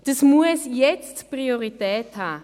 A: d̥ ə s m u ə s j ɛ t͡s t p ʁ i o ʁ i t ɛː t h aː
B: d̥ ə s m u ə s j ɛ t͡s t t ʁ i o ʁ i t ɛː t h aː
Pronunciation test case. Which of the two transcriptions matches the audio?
A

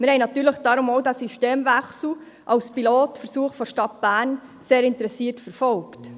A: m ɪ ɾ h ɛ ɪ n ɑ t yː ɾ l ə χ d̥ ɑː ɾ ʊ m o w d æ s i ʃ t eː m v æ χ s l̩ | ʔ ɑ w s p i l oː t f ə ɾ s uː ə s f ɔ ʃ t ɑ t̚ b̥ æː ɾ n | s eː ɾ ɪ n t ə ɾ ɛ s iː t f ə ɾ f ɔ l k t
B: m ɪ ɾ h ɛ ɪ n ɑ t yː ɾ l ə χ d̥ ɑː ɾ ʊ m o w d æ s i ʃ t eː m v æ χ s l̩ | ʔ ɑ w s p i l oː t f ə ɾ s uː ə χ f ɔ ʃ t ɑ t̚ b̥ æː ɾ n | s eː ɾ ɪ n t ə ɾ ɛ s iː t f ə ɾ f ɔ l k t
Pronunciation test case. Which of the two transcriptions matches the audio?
B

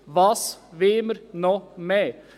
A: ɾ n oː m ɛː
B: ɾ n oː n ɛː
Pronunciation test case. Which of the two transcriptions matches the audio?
A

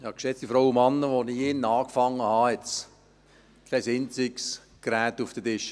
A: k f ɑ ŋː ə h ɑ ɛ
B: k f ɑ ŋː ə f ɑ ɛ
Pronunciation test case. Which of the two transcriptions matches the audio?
A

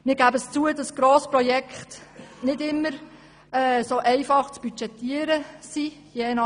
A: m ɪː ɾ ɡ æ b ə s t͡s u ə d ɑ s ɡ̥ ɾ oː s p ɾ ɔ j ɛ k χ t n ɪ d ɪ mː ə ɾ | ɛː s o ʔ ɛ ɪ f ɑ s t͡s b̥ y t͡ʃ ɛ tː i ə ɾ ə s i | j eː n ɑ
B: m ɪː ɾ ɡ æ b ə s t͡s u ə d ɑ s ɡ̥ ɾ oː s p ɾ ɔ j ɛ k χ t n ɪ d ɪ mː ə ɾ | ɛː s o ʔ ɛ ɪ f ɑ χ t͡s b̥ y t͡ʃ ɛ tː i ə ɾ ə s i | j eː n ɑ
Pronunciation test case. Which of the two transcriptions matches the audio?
B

